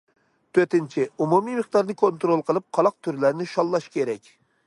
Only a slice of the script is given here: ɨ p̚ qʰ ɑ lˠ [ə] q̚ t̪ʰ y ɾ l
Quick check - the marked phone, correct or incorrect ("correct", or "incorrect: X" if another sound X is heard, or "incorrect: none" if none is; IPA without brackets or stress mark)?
incorrect: ɑ